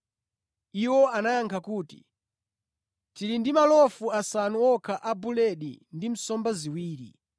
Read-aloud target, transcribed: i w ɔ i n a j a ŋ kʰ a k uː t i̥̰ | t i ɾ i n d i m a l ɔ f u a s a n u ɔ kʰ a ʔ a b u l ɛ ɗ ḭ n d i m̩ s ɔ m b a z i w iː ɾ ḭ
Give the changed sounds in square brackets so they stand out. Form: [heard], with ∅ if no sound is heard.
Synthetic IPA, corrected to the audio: i w ɔ [a] n a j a ŋ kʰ a k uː t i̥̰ | t i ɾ i n d i m a l ɔ f u a s a n u ɔ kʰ a ʔ a b u l ɛ ɗ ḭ n d i m̩ s ɔ m b a z i w iː ɾ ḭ